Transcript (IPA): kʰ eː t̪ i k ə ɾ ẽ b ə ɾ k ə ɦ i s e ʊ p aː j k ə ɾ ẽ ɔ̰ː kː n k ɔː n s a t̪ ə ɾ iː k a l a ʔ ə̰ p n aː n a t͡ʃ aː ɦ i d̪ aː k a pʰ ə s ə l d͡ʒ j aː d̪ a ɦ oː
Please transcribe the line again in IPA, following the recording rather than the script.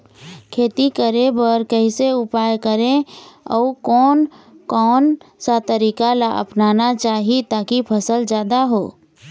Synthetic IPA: kʰ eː t̪ i k ə ɾ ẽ b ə ɾ k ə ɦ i s e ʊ p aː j k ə ɾ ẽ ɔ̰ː kː n k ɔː n s a t̪ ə ɾ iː k a l a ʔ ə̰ p n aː n a t͡ʃ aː ɦ i t̪ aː k i pʰ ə s ə l d͡ʒ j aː d̪ a ɦ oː